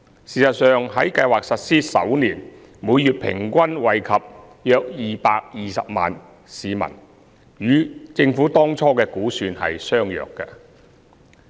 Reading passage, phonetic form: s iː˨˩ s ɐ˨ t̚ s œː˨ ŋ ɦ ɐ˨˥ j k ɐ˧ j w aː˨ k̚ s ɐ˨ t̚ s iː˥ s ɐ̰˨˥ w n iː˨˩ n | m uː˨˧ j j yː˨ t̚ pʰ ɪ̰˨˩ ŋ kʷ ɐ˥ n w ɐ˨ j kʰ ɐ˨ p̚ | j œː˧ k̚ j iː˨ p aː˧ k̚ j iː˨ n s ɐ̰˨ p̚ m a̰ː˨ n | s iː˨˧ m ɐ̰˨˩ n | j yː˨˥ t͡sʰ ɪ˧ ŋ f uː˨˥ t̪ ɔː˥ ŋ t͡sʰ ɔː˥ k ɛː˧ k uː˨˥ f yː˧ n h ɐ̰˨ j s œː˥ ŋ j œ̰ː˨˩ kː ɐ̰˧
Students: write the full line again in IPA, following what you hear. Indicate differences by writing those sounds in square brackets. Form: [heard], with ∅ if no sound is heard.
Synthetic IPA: s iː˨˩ s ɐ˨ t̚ s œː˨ ŋ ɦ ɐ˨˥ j k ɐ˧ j w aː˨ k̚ s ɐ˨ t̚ s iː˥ s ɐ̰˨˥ w n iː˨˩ n | m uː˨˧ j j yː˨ t̚ pʰ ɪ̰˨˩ ŋ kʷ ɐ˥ n w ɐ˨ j kʰ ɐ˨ p̚ | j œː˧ k̚ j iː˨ p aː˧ k̚ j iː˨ [∅] s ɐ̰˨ p̚ m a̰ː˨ n | s iː˨˧ m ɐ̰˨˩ n | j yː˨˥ [t͡s] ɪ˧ ŋ f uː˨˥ t̪ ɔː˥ ŋ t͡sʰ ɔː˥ k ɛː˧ k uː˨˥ [s] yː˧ n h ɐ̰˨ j s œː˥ ŋ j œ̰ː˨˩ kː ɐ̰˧

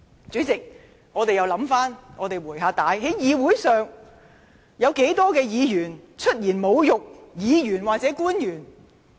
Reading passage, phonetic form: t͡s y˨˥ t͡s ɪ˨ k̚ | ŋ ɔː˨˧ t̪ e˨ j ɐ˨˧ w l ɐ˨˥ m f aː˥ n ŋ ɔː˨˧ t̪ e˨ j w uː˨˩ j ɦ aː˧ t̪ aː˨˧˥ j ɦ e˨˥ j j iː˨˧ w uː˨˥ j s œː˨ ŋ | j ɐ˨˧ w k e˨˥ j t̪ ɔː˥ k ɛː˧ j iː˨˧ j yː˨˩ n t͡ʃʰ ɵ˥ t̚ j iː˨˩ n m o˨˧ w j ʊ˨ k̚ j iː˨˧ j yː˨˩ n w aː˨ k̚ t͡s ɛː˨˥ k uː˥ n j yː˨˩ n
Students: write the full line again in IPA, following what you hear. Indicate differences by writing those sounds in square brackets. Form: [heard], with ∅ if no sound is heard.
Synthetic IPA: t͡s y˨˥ t͡s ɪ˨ k̚ | ŋ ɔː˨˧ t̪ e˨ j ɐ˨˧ w l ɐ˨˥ m f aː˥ n ŋ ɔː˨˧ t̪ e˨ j w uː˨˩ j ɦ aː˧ t̪ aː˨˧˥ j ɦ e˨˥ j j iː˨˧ w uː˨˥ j s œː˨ ŋ | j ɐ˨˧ w k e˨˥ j t̪ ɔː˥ k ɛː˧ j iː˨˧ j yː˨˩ n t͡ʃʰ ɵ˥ t̚ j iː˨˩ n m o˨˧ w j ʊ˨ k̚ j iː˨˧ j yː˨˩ n w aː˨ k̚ t͡s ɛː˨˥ k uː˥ n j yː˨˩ n

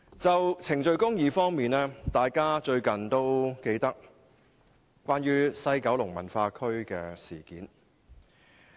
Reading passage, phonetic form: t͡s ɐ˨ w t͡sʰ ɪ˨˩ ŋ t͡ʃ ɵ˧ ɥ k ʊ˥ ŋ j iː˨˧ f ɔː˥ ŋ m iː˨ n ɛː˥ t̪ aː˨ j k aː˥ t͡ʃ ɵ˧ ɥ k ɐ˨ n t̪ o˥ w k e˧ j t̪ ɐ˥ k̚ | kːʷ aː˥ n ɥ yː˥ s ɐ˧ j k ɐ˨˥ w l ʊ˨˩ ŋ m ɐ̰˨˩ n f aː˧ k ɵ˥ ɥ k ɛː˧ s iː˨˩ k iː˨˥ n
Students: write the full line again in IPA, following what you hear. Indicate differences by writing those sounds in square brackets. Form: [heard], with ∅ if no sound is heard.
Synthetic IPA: t͡s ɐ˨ w t͡sʰ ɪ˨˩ ŋ t͡ʃ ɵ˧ ɥ k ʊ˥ ŋ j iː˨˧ f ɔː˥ ŋ m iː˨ n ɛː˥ t̪ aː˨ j k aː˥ t͡ʃ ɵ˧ ɥ k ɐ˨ n t̪ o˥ w k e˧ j t̪ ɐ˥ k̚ | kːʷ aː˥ n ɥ yː˥ s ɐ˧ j k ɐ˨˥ w l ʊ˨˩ ŋ m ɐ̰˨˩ n f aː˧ [kʰ] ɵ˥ ɥ k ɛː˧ s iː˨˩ k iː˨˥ n

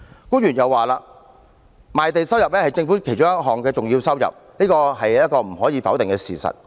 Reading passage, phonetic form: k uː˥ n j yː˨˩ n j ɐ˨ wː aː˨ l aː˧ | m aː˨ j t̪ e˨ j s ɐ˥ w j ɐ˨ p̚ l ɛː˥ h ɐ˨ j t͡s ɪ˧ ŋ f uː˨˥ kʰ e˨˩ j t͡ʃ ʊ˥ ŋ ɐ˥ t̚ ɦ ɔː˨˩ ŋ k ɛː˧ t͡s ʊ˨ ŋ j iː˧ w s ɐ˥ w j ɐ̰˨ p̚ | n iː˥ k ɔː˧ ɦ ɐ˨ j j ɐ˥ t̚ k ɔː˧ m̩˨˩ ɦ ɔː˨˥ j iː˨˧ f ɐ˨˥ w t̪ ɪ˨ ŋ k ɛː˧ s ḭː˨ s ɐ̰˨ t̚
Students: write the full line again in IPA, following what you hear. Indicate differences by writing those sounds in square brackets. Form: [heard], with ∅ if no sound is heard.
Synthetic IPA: k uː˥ n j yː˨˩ n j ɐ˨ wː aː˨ l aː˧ | m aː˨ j t̪ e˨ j s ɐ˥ w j ɐ˨ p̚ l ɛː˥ h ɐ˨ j t͡s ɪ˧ ŋ f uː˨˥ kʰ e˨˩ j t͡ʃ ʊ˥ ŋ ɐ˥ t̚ ɦ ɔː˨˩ ŋ k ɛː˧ t͡s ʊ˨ ŋ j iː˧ w s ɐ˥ w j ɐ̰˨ p̚ | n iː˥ k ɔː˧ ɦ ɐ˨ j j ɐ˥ t̚ k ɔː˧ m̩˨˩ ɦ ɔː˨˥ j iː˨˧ f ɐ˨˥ w t̪ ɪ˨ ŋ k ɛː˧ s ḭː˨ s ɐ̰˨ t̚

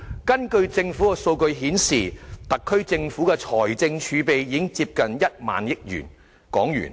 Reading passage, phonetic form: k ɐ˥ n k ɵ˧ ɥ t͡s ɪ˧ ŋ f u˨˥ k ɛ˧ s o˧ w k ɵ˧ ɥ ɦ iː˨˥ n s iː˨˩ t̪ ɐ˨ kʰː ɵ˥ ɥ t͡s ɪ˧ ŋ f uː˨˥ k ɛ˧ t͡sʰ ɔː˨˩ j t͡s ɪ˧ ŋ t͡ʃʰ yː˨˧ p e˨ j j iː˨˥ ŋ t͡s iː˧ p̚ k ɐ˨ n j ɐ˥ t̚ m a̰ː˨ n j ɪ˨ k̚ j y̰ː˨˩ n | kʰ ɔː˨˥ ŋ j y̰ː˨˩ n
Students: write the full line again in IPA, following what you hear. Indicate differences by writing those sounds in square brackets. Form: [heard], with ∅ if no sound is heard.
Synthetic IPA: k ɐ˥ n k ɵ˧ ɥ t͡s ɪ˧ ŋ f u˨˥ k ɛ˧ s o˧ w k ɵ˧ ɥ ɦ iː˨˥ n s iː˨˩ t̪ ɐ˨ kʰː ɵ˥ ɥ t͡s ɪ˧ ŋ f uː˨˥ k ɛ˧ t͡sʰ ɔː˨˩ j t͡s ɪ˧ ŋ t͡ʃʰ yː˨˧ p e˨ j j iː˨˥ ŋ t͡s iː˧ p̚ k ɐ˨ n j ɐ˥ t̚ m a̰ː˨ n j [ɪ˥] k̚ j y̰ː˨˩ n | [k] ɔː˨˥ ŋ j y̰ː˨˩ n

